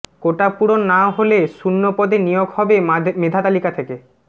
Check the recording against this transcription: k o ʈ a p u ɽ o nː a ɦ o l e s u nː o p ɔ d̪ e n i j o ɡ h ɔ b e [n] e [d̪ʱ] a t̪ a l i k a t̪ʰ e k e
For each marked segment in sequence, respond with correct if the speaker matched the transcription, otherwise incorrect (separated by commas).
incorrect, correct